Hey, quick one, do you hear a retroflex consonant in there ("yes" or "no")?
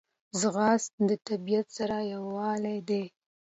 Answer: no